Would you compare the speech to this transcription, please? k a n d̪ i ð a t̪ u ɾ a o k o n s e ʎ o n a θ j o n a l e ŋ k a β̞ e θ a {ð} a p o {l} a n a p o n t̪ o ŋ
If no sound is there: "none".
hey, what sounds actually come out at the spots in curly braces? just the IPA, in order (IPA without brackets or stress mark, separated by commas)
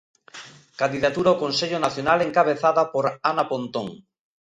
ð, ɾ